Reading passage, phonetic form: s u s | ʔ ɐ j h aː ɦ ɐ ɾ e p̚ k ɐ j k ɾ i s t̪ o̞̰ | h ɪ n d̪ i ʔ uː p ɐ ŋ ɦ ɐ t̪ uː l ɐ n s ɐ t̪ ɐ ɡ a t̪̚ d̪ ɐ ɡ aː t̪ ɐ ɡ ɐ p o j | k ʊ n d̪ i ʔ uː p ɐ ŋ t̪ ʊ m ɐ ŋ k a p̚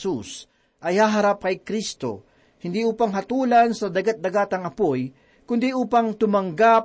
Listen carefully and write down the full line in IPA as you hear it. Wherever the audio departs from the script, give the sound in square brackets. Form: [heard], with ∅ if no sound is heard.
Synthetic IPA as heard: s u s | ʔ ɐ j h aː ɦ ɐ ɾ [a] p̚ k ɐ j k ɾ i s t̪ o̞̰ | h ɪ n d̪ i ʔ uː p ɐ ŋ ɦ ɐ t̪ uː l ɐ n s ɐ [d̪] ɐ ɡ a t̪̚ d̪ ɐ ɡ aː t̪ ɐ [ŋ] ɐ p o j | k ʊ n d̪ i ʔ uː p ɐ ŋ t̪ ʊ m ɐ ŋ [ɡ] a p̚